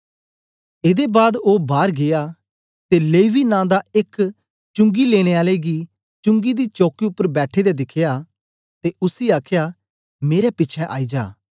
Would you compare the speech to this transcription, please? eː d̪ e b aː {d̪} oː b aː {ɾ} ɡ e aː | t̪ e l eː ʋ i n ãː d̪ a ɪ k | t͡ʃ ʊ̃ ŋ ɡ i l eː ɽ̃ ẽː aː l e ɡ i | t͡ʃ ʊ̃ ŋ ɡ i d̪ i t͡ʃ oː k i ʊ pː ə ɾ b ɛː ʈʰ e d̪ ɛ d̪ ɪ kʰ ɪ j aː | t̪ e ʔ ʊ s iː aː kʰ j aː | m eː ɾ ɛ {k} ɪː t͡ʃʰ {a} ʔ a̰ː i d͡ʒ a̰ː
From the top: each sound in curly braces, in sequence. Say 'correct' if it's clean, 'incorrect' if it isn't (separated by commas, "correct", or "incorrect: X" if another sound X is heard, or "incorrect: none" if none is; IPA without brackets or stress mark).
correct, correct, incorrect: p, incorrect: ɛ